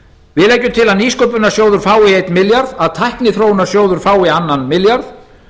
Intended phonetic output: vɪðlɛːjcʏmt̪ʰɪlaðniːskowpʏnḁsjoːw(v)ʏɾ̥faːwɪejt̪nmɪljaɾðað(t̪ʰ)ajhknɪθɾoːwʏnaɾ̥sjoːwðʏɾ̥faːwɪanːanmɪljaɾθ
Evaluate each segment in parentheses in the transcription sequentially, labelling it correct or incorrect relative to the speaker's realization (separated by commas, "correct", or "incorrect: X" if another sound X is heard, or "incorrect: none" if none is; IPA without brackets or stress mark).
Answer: incorrect: ð, correct